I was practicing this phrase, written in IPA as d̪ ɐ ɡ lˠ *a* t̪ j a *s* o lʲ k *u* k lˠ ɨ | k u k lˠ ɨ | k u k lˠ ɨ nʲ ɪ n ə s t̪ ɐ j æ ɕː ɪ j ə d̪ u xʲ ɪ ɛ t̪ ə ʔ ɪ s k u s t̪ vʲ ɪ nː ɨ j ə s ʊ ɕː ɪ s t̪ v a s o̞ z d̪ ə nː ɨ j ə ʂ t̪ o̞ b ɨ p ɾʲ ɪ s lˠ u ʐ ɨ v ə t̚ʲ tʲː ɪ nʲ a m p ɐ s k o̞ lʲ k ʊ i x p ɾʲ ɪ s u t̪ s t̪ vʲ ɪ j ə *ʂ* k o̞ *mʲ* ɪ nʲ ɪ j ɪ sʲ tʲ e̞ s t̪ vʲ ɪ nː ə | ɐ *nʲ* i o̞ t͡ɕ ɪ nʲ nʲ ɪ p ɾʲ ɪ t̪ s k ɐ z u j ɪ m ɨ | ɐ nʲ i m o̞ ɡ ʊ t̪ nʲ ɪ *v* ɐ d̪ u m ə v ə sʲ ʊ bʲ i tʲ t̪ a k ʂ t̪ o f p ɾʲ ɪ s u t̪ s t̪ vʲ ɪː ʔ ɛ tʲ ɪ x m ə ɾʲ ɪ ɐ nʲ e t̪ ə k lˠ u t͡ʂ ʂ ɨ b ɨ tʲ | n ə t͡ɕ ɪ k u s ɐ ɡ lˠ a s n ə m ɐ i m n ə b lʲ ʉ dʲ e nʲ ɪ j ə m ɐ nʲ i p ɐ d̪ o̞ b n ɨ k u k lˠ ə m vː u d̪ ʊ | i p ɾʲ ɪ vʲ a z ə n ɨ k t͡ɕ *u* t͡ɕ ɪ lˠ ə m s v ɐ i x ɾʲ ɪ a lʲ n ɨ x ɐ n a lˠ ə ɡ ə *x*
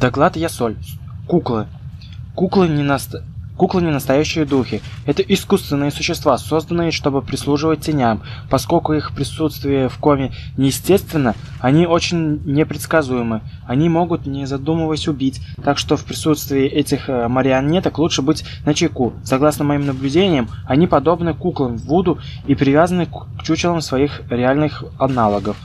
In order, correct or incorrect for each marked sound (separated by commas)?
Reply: correct, correct, correct, incorrect, correct, correct, incorrect, correct, incorrect